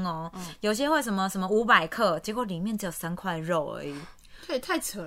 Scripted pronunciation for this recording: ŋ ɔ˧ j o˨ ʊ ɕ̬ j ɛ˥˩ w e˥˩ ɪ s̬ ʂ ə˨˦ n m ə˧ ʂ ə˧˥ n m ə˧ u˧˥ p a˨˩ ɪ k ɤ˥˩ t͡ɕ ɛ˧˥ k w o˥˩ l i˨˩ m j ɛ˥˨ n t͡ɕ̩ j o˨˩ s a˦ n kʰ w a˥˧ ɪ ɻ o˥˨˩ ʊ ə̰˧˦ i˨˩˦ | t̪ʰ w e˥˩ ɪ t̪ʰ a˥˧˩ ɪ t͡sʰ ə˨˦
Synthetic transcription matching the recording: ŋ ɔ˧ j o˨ ʊ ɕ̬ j ɛ˦ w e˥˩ ɪ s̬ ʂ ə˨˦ n m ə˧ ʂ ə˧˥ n m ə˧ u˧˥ p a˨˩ ɪ kʰ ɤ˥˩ t͡ɕ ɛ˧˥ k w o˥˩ l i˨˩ m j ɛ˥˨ n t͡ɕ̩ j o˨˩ s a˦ n kʰ w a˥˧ ɪ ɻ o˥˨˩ ʊ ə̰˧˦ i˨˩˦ | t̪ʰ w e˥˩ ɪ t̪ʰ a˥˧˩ ɪ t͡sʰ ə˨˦